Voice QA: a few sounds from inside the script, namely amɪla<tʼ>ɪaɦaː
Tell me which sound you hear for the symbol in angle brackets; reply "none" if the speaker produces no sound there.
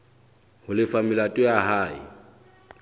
tʼ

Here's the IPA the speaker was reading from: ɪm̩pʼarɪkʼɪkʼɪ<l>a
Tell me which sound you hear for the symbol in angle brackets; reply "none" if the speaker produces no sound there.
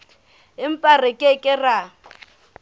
r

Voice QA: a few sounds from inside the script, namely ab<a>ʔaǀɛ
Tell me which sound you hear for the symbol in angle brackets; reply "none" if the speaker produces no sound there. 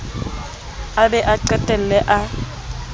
ɛ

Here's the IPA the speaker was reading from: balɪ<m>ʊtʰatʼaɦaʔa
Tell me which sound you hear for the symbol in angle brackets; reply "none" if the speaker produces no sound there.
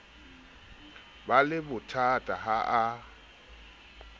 b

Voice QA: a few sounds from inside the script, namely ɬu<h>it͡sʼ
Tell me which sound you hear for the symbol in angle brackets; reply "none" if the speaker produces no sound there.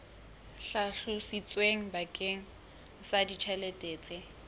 s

